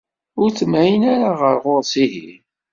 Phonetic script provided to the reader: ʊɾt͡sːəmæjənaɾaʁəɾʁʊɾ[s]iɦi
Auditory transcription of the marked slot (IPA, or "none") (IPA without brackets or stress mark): s